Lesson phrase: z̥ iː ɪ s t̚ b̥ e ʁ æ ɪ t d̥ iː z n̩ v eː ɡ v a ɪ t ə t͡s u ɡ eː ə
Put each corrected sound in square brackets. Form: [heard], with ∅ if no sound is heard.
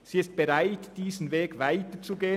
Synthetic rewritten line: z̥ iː ɪ s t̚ b̥ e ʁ [a] ɪ t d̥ iː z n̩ v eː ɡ v a ɪ t ə t͡s u ɡ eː ə